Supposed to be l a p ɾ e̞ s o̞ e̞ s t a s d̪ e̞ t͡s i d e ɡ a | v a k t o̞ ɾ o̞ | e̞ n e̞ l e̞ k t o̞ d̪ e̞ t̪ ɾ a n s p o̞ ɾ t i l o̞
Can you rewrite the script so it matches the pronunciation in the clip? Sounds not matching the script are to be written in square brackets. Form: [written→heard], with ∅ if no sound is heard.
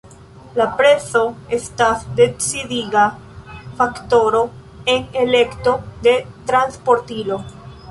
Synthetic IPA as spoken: l a p ɾ e̞ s o̞ e̞ s t a s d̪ e̞ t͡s i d [e→i] ɡ a | [v→f] a k t o̞ ɾ o̞ | e̞ n e̞ l e̞ k t o̞ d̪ e̞ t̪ ɾ a n s p o̞ ɾ t i l o̞